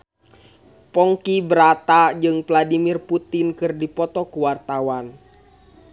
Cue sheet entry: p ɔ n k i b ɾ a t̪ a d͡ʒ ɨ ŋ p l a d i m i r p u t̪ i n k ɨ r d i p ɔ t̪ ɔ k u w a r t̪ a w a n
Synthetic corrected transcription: p ɔ ŋ k i b ɾ a t̪ a d͡ʒ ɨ ŋ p l a d i m i r p u t̪ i n k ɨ r d i p ɔ t̪ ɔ k u w a r t̪ a w a n